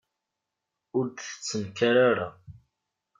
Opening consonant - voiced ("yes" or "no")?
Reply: yes